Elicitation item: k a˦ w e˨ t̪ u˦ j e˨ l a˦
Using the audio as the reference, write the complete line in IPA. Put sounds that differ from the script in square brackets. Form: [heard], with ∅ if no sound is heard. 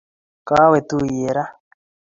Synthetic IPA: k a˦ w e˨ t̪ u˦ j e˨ [ɾ] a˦